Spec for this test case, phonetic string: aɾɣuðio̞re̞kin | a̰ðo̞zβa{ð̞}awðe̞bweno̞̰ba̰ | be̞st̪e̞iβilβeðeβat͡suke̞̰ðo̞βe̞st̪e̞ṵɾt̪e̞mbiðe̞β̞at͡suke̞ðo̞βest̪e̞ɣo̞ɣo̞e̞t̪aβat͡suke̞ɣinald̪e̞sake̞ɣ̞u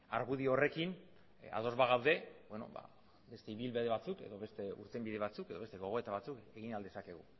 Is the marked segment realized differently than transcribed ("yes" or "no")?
yes